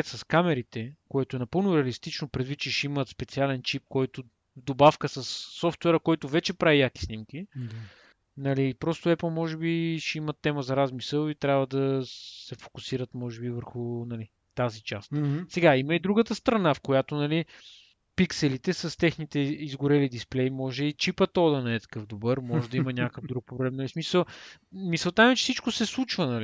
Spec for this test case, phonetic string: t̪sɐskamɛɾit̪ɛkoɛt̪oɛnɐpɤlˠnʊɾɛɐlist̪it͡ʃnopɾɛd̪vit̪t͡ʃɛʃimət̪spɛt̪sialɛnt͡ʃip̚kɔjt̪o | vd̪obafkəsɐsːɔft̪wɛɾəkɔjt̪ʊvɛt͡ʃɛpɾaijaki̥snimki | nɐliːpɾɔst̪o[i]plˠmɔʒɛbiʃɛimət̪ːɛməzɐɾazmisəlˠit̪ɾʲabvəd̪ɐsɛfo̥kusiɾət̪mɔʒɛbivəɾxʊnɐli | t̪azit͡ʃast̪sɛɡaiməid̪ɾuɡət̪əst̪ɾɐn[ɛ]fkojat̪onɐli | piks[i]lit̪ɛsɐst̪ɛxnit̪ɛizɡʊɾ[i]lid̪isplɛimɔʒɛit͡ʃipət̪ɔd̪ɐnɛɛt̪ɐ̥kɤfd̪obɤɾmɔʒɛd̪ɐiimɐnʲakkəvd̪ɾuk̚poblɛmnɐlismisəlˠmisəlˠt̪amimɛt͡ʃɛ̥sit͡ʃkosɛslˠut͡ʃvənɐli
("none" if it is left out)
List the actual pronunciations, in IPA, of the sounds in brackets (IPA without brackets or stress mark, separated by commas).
ɛ, a, ɛ, ɛ